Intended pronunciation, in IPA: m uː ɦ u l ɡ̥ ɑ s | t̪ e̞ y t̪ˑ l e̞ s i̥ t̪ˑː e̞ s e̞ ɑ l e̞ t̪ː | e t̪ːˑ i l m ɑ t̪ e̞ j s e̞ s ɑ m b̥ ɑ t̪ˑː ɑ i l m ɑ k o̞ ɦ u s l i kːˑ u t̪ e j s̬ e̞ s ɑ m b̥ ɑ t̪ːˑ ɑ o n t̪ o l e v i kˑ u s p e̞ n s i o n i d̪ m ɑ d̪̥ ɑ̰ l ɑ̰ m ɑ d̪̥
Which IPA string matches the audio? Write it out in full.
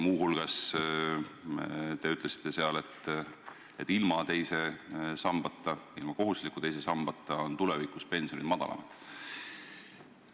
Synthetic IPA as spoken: m uː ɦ u l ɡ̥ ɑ s | t̪ e̞ y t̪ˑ l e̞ s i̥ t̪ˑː e̞ s e̞ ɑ l e̞ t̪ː | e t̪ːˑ i l m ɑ t̪ e̞ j s e̞ s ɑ m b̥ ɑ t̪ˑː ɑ i l m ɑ k o̞ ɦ u s l i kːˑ u t̪ e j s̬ e̞ s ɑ m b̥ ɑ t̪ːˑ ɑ o n t̪ u l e v i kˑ u s p e̞ n s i o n i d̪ m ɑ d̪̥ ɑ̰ l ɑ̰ m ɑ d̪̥